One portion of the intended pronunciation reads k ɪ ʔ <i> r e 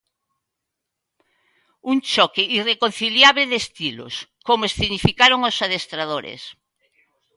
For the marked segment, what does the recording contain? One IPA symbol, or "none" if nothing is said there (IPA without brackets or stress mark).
i